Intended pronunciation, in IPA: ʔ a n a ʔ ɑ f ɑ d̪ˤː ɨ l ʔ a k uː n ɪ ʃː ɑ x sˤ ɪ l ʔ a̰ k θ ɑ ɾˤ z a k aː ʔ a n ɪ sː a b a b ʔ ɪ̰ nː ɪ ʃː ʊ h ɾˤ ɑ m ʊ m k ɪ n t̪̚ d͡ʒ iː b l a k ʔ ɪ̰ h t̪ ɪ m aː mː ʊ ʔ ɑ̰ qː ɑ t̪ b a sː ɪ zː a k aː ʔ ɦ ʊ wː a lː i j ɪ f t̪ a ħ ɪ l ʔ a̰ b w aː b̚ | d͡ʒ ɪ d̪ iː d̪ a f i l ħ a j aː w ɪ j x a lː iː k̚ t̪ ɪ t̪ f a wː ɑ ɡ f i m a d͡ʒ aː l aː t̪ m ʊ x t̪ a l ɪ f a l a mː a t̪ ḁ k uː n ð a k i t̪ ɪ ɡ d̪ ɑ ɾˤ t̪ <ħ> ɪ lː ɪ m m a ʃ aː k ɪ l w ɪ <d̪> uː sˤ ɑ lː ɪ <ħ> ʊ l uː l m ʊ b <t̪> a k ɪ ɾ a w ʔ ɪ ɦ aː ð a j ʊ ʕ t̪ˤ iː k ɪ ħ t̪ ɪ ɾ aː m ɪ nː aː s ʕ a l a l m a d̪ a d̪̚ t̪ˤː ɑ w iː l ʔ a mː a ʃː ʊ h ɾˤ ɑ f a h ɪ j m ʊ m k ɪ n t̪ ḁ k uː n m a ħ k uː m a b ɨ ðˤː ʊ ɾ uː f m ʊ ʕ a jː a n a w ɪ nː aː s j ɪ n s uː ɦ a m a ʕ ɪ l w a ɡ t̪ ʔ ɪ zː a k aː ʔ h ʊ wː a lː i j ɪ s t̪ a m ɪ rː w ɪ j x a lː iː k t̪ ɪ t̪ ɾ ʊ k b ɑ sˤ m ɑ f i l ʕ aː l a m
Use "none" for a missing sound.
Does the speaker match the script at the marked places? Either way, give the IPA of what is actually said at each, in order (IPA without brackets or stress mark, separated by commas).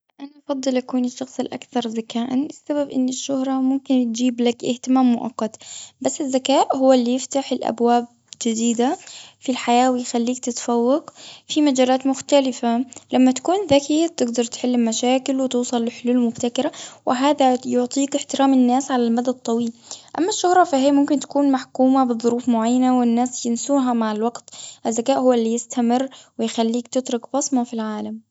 ħ, t̪, ħ, t̪